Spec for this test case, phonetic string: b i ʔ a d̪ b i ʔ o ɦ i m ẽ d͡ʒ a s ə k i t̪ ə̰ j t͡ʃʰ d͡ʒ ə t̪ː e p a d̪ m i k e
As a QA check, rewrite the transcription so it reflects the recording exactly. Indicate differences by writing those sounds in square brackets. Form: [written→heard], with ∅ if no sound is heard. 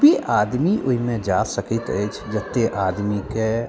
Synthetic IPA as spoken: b i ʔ a d̪ [b→m] i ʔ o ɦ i m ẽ d͡ʒ a s ə k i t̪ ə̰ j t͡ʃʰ d͡ʒ ə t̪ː e [p→ʔ] a d̪ m i k e